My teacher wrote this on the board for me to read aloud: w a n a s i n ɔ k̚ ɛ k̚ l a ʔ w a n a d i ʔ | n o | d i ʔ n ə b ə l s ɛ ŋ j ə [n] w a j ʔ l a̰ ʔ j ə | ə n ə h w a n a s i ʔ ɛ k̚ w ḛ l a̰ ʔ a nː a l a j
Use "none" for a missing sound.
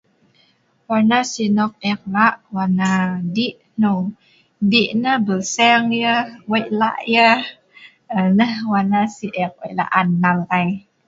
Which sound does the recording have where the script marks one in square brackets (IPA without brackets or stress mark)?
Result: none